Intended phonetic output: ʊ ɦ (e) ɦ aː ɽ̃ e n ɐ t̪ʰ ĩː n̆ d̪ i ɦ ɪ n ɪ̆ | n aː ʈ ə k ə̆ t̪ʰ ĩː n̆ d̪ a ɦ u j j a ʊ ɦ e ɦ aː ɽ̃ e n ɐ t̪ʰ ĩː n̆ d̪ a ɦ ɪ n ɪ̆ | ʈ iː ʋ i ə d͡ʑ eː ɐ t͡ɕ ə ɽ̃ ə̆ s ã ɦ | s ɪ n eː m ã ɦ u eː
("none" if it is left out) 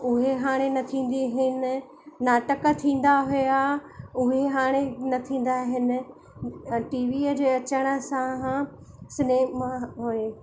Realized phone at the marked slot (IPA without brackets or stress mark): e